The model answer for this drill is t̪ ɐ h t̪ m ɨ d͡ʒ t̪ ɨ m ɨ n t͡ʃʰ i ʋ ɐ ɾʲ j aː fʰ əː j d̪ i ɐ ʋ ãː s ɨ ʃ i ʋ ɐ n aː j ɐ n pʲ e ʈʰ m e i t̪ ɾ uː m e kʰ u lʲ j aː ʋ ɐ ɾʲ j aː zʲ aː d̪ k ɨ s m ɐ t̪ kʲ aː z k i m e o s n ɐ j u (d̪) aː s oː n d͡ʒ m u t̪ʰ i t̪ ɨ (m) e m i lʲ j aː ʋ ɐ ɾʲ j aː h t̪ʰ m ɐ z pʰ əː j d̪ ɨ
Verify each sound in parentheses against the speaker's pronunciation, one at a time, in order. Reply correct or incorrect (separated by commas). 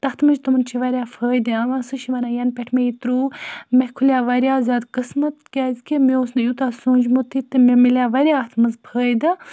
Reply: incorrect, correct